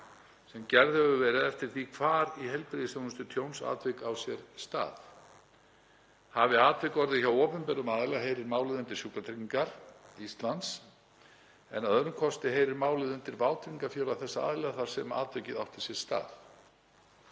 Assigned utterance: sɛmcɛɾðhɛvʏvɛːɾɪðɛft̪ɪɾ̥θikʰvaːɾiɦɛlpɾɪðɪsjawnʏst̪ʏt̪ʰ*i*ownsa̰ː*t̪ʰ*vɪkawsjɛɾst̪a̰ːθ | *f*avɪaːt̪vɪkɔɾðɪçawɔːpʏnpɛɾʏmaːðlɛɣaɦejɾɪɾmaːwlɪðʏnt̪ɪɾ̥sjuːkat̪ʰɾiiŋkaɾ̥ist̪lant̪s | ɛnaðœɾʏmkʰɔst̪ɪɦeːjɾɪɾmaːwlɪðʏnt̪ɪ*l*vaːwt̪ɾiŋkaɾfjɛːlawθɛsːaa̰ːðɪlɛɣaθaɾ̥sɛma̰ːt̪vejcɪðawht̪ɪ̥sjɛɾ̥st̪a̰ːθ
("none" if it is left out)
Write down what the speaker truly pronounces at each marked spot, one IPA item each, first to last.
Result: j, t̪, h, ɾ

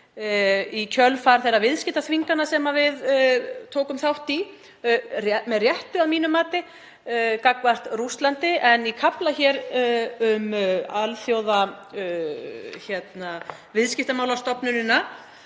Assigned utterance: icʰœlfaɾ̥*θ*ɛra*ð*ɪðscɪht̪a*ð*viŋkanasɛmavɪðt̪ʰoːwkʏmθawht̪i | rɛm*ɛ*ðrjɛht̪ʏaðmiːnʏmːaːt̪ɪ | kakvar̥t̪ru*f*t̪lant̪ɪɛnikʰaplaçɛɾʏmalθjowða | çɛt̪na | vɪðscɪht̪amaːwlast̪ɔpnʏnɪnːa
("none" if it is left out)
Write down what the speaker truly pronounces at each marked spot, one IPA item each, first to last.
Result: θ, v, θ, ɛ, s

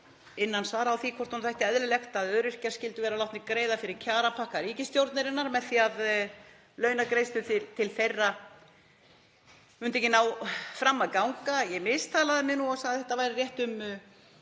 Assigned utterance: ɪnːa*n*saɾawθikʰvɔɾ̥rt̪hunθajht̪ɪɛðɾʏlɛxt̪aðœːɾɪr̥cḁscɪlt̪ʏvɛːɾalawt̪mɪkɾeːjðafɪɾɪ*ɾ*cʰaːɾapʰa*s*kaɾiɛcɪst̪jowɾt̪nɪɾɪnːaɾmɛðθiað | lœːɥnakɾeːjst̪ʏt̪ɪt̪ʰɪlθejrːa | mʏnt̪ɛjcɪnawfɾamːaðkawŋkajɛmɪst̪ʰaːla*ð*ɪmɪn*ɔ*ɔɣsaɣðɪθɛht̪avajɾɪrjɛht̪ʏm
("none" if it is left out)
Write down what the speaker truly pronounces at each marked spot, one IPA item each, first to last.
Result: n, ɾ, h, ð, u

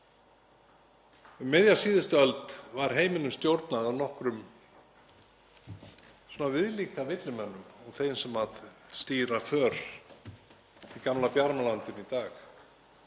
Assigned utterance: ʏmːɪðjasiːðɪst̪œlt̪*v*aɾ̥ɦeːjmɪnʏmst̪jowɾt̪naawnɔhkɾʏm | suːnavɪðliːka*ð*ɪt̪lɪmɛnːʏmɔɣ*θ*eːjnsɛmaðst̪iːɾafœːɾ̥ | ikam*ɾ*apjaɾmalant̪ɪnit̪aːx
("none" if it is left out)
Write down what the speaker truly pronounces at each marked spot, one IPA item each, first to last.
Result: v, v, θ, l

